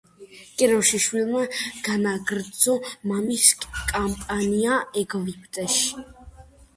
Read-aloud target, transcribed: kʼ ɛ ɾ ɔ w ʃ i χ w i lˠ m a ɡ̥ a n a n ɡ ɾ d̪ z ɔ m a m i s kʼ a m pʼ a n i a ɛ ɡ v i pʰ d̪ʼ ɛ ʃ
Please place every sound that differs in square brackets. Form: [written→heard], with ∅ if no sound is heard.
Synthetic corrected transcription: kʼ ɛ ɾ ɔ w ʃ i [χ→ʃ] w i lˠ m a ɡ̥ a n a [n→∅] ɡ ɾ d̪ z ɔ m a m i s kʼ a m pʼ a n i a ɛ ɡ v i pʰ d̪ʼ ɛ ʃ